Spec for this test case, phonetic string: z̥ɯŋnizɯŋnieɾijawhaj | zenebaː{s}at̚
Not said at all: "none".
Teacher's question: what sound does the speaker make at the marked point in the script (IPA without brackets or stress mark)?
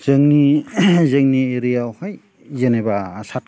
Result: s